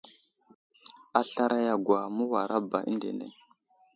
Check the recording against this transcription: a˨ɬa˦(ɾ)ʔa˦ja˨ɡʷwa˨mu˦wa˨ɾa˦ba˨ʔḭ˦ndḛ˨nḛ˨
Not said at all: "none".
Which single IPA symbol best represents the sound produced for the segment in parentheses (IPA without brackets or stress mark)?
ɾ